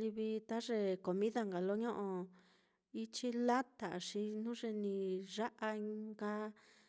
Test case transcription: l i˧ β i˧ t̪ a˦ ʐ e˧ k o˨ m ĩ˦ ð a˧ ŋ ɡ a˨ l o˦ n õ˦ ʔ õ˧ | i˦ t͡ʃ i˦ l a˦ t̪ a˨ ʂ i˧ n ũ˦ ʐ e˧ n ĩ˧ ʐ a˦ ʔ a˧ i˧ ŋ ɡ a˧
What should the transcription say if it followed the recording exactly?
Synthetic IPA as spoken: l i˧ β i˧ t̪ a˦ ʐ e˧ k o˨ m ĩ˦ ð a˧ ŋ ɡ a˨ l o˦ ɲ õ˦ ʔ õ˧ | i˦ t͡ʃ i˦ l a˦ t̪ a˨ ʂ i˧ n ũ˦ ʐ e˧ n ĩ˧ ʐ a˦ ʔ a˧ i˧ ŋ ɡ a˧

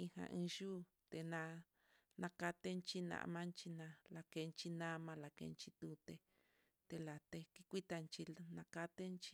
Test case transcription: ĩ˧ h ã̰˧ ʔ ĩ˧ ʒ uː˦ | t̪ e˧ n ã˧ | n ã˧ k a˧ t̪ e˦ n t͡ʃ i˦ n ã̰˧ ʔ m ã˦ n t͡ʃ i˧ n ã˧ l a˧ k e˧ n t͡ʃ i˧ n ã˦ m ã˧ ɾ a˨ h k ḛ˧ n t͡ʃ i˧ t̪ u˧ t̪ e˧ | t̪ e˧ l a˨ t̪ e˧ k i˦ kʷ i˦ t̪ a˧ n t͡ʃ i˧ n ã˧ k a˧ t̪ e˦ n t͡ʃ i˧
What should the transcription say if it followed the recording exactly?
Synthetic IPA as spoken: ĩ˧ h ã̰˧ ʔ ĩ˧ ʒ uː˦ | t̪ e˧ n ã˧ | n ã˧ k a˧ t̪ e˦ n t͡ʃ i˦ n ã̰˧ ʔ m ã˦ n t͡ʃ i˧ n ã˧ l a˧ k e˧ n t͡ʃ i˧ n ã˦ m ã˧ l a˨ k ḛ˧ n t͡ʃ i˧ t̪ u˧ t̪ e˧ | t̪ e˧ l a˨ t̪ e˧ k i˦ kʷ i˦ t̪ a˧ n t͡ʃ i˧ n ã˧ k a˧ t̪ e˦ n t͡ʃ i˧

